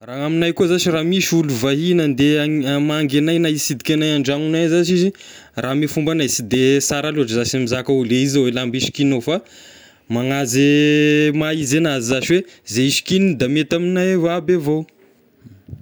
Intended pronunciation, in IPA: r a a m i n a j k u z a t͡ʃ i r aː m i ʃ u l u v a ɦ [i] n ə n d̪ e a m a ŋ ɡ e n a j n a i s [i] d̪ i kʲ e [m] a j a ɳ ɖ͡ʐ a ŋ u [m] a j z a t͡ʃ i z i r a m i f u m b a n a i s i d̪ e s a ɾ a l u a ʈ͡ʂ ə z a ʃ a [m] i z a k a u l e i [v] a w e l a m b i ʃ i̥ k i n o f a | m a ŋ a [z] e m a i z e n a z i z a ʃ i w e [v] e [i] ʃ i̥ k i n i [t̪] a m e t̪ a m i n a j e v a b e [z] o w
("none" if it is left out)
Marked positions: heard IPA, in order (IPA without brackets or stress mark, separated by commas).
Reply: i, i, n, n, m, z, z, z, i, d̪, v